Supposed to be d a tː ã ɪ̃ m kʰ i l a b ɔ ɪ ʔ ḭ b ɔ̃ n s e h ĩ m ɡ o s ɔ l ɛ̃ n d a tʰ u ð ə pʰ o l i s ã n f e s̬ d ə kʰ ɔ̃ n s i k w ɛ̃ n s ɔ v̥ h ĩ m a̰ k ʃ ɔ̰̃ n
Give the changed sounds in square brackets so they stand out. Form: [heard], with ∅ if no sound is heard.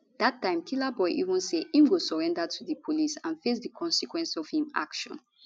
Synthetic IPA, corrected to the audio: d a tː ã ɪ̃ m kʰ i l a b ɔ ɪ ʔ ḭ [v] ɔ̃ n s e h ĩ m ɡ o s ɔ [ɹ] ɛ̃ n d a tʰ u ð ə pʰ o l i s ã n f e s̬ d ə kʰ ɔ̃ n s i k w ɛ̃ n s ɔ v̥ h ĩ m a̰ k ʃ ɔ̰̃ n